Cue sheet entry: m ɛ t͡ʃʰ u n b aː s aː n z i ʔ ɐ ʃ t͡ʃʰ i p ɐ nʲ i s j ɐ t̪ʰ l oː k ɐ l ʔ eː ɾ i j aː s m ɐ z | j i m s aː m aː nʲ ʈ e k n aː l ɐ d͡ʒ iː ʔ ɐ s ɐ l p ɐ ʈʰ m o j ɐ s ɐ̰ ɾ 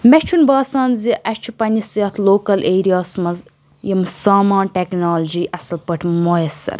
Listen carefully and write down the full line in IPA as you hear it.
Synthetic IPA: m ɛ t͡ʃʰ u n b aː s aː n z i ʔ ɐ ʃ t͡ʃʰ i p ɐ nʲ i s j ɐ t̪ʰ l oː k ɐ l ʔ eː ɾ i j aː s m ɐ z | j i m s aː m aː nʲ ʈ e k n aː l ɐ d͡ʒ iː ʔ ɐ s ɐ l p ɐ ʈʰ m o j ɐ s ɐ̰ ɾ